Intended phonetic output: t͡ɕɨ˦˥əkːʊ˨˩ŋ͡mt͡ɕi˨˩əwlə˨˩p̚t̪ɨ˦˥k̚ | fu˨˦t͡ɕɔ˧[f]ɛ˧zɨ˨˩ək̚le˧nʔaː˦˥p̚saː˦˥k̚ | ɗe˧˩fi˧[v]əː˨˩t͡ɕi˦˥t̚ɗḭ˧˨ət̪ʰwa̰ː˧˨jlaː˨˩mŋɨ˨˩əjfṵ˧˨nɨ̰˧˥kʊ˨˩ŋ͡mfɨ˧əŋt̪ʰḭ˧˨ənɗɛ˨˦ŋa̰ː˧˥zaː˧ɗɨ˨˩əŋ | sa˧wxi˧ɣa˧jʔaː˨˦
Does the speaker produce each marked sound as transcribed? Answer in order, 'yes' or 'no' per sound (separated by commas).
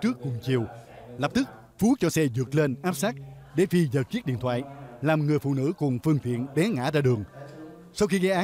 no, no